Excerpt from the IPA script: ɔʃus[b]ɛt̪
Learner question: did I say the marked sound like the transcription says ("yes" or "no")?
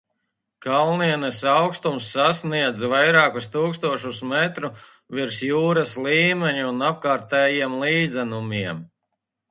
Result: no